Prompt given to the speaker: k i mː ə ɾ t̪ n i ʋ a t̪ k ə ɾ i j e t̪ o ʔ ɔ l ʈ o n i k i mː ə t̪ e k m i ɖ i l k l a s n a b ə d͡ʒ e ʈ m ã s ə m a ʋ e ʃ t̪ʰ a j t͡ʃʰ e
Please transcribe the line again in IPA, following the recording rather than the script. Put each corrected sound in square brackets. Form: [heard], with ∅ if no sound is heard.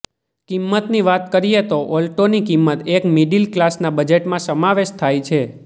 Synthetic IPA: k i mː ə [∅] t̪ n i ʋ a t̪ k ə ɾ i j e t̪ o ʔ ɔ l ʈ o n i k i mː ə t̪ e k m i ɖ i l k l a s n a b ə d͡ʒ e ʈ m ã s ə m a ʋ e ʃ t̪ʰ a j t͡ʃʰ e